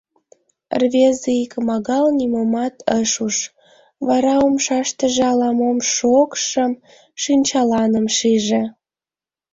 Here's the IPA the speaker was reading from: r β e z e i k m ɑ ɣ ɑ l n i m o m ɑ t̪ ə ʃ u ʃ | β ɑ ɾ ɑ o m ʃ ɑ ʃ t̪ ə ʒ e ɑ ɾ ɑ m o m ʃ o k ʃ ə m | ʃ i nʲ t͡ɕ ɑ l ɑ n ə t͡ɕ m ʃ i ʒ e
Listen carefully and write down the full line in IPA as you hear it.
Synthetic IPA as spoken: r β e z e i k m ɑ ɣ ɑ l n i m o m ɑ t̪ ə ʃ u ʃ | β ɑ ɾ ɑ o m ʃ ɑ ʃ t̪ ə ʒ e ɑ l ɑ m o m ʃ o k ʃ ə m | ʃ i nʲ t͡ɕ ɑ l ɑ n ə m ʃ i ʒ e